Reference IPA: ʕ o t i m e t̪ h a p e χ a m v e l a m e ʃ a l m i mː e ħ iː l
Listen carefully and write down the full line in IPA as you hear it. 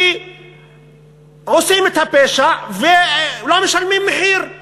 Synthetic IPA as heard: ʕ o s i m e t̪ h a p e ʃ a v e l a m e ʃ a l m i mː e ħ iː ɾ